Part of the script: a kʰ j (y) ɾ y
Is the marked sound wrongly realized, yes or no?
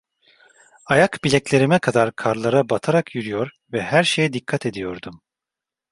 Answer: no